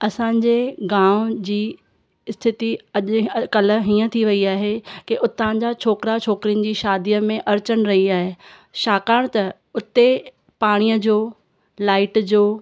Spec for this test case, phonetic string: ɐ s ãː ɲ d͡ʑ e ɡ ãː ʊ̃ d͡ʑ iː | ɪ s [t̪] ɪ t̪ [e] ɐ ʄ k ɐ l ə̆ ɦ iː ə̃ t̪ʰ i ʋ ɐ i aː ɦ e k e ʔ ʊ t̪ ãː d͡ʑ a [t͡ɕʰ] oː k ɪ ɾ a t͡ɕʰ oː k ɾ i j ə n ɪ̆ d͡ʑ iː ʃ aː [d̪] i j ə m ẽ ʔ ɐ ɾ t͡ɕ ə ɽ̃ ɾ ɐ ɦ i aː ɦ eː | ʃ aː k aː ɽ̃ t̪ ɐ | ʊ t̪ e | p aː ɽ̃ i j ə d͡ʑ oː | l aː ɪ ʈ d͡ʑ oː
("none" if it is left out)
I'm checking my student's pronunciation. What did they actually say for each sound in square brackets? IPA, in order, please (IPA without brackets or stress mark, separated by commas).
t̪ʰ, i, t͡ɕʰ, d̪